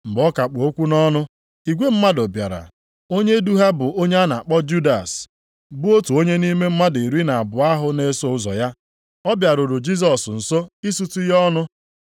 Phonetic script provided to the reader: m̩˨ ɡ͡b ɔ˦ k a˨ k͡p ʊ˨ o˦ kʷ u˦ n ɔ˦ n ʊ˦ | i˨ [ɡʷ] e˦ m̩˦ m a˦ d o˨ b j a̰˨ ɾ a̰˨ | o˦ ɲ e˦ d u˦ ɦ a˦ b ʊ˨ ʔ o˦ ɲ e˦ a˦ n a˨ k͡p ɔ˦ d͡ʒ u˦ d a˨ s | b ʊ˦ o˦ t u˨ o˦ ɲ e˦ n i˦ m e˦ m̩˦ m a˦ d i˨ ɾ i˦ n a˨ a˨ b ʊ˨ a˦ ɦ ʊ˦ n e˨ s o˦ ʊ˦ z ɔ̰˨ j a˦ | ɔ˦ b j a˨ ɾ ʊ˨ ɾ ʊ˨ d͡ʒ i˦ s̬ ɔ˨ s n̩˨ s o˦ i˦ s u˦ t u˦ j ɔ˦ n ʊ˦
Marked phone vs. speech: correct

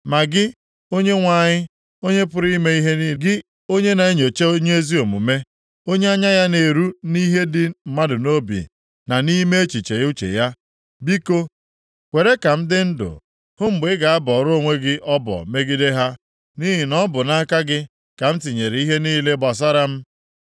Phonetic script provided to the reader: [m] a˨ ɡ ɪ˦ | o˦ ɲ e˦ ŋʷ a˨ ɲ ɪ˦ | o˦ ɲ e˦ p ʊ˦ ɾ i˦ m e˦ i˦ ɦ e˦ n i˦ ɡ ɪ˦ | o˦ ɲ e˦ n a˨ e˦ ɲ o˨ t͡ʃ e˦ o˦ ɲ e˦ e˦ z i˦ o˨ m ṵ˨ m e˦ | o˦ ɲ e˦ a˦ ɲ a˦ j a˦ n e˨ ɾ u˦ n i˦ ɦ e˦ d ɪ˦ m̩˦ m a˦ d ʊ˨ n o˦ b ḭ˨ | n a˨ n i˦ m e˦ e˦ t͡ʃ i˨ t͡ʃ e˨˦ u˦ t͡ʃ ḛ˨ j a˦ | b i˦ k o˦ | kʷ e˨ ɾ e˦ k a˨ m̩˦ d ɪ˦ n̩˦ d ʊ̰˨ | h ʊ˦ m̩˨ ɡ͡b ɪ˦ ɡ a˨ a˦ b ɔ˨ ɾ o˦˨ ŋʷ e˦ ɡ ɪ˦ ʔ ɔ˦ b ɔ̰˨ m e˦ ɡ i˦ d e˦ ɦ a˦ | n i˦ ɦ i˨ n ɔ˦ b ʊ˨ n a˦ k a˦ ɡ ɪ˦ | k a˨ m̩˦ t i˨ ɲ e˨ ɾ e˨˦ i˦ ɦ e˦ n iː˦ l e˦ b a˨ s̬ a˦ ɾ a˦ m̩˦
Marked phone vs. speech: correct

